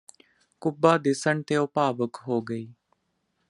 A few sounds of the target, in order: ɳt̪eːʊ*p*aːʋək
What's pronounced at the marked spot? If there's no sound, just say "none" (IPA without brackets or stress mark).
p